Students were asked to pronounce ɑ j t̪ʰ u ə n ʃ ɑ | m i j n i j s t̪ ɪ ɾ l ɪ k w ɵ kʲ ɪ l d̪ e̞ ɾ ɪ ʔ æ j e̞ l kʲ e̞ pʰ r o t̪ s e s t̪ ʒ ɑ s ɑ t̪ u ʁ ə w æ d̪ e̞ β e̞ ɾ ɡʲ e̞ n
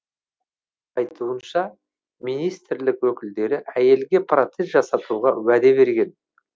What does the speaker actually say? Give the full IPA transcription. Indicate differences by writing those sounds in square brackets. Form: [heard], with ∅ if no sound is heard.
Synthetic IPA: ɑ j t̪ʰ u ə n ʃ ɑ | m i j n i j s t̪ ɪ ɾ l ɪ k w ɵ kʲ ɪ l d̪ e̞ ɾ ɪ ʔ æ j e̞ l [ɡʲ] e̞ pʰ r o t̪ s e s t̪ ʒ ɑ s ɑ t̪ u ʁ [ɑ] w æ d̪ e̞ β e̞ ɾ ɡʲ e̞ n

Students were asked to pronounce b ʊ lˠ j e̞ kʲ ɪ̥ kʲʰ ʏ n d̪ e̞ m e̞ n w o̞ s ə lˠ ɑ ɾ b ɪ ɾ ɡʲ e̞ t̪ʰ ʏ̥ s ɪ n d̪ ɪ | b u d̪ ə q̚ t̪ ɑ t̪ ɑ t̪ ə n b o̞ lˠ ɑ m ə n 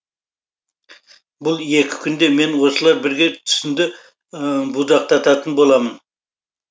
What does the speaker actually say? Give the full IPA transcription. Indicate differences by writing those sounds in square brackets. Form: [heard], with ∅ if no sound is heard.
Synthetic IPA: b ʊ lˠ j e̞ kʲ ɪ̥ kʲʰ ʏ n d̪ e̞ m e̞ n w o̞ s ə lˠ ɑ ɾ b ɪ ɾ ɡʲ e̞ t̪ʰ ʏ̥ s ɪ n d̪ ɪ | b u d̪ [ɑ] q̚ t̪ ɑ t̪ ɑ t̪ ə n b o̞ lˠ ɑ m ə n

